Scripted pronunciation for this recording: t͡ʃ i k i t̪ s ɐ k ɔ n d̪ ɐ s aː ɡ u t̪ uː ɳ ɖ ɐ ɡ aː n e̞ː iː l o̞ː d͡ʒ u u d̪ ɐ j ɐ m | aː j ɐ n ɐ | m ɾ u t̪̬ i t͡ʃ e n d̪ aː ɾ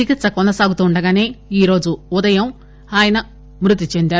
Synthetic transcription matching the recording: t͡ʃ i k i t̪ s ɐ k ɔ n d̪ ɐ s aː ɡ u t̪ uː ɳ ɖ ɐ ɡ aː n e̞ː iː ɾ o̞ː d͡ʒ u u d̪ ɐ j ɐ m | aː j ɐ n ɐ | m ɾ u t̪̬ i t͡ʃ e n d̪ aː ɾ